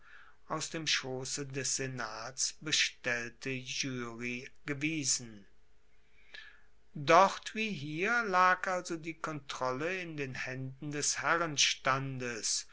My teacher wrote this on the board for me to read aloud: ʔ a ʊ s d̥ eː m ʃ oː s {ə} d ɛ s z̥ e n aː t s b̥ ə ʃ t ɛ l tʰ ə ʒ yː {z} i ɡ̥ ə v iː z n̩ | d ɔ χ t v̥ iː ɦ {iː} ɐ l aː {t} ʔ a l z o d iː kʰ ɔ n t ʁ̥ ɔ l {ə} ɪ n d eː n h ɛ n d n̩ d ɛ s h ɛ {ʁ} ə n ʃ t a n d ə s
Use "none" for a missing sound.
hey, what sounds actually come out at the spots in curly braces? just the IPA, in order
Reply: ə, ʁ, iː, k, ə, ʁ

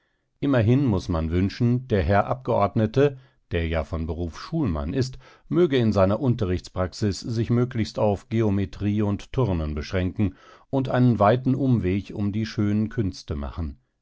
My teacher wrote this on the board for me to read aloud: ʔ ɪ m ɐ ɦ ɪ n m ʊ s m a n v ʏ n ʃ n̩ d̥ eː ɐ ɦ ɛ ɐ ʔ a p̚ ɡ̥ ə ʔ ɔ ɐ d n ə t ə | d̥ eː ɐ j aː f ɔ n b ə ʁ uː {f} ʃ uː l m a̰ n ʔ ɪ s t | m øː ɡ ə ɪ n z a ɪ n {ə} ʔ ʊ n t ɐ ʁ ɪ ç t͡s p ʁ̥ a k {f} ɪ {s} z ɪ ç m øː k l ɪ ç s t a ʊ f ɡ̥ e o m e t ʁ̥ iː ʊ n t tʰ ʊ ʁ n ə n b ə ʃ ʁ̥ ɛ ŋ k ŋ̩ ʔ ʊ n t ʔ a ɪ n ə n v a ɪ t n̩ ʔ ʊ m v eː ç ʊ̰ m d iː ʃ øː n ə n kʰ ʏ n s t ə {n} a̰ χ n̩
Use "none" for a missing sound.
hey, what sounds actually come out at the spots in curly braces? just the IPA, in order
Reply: f, ɐ, s, s, m

